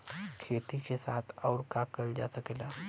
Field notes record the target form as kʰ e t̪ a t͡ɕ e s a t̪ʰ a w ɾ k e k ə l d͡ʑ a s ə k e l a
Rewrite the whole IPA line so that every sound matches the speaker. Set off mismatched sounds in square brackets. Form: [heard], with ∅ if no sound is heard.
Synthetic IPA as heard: kʰ e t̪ [i] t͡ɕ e s a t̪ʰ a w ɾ k [a] k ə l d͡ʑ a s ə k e l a